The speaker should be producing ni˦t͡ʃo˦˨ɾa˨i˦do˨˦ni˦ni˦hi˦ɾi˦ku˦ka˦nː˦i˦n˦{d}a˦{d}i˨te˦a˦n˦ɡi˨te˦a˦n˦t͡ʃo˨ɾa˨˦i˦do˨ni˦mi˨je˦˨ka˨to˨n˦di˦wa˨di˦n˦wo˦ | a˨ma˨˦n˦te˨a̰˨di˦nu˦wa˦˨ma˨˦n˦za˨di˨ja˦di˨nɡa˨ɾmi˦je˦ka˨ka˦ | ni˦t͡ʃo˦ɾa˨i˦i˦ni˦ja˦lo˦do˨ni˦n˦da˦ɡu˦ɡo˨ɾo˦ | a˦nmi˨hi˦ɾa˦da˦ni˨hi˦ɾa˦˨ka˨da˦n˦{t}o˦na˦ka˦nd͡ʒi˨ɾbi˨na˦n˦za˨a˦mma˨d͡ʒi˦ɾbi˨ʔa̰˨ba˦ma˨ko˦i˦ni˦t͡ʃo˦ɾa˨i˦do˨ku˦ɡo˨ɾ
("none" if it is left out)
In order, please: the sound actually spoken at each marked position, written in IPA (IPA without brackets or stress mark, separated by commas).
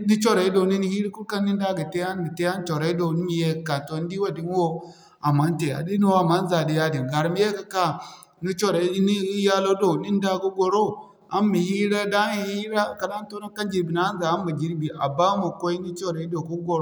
d, ɡ, t